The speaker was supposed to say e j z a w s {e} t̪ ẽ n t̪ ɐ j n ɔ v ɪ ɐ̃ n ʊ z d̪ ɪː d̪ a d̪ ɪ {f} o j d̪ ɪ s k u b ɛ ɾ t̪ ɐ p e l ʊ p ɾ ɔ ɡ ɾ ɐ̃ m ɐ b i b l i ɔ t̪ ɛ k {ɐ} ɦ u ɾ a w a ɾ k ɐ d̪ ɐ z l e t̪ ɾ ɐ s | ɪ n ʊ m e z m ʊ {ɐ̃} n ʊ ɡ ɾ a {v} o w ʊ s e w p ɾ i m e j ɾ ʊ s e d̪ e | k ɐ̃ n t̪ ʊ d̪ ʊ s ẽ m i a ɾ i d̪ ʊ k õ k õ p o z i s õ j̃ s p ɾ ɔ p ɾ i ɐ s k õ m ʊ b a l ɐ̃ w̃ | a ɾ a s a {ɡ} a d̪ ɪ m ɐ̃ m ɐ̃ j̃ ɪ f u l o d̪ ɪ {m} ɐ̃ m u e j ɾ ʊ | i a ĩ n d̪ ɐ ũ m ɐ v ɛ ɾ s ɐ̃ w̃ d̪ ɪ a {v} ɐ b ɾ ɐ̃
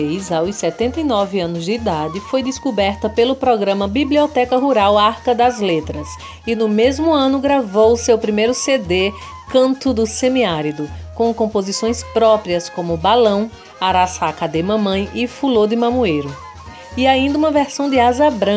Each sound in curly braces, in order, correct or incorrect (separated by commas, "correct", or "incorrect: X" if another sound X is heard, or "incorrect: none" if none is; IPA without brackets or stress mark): incorrect: ɛ, correct, correct, correct, correct, incorrect: k, correct, incorrect: z